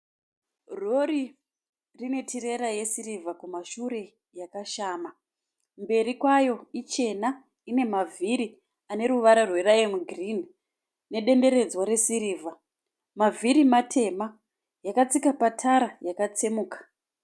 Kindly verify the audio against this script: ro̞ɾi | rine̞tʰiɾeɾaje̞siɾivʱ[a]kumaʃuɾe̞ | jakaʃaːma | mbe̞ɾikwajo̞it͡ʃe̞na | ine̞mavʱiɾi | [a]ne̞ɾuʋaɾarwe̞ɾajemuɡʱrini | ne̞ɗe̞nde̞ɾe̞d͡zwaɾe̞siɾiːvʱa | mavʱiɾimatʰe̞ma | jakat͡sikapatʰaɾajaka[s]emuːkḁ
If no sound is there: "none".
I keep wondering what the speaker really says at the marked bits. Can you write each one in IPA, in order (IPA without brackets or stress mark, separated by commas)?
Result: a, a, t͡s